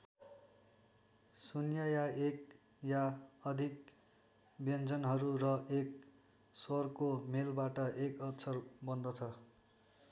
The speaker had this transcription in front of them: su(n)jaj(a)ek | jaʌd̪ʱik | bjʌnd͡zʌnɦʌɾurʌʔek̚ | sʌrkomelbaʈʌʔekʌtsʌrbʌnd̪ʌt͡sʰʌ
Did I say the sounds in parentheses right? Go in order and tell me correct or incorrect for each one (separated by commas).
correct, correct